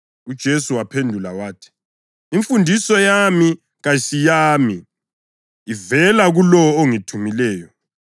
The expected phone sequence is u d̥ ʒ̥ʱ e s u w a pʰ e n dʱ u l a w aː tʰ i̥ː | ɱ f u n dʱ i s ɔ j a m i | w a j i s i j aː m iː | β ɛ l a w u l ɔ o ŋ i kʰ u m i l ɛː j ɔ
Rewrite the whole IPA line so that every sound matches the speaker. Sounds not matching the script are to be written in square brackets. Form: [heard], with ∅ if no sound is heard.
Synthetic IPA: u d̥ ʒ̥ʱ e s u w a pʰ e n dʱ u l a w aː tʰ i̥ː | ɱ f u n dʱ i s ɔ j a m i | [ɣ] a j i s i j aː m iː | [v] ɛ l a [ɣ] u l ɔ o ŋ i [tʰ] u m i l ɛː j ɔ